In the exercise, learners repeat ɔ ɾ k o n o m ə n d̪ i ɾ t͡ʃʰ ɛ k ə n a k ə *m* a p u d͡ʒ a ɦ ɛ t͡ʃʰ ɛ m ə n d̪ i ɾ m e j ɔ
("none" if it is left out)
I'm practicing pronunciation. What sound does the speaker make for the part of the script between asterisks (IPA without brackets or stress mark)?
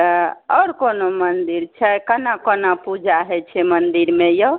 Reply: n